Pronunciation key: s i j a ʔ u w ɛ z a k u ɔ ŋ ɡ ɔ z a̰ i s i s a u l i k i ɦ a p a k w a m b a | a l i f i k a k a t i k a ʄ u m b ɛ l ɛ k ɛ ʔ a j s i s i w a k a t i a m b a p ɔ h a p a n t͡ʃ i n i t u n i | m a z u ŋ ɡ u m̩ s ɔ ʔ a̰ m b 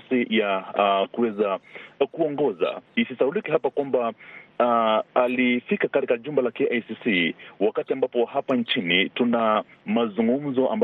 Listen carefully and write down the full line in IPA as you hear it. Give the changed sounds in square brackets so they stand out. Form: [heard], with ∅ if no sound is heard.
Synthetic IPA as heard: s i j a [k] u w ɛ z a k u ɔ ŋ ɡ ɔ z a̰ i s i s a u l i k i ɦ a p a k w a m b a | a l i f i k a k a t i k a ʄ u m b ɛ l [a] k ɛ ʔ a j s i s i w a k a t i a m b a p ɔ h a p a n t͡ʃ i n i t u n [a] | m a z u ŋ ɡ u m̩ [z] ɔ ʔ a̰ m b